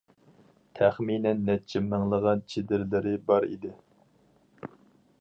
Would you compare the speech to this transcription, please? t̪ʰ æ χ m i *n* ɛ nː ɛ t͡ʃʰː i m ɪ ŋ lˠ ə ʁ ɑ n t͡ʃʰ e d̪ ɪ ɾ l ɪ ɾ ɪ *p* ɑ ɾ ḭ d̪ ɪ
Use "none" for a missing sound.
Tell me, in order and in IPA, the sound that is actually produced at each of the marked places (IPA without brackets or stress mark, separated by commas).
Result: n, b